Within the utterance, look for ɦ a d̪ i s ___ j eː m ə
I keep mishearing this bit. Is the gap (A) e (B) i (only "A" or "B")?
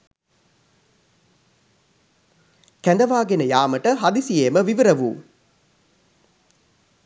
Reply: B